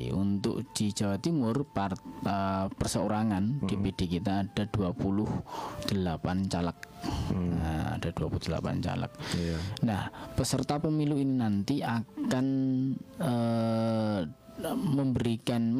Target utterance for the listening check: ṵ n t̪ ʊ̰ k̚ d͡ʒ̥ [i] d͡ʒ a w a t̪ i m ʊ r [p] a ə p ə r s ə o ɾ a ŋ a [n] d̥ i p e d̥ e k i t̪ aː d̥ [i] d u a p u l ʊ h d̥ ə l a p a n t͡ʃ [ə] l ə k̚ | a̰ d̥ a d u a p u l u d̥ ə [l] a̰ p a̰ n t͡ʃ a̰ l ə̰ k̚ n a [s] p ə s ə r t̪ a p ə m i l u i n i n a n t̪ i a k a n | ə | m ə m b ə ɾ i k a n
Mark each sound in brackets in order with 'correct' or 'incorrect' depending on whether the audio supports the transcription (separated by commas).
correct, correct, correct, incorrect, incorrect, correct, incorrect